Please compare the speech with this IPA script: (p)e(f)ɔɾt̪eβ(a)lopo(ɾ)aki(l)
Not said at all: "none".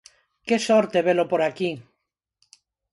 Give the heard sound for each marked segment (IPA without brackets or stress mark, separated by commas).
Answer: k, s, e, ɾ, none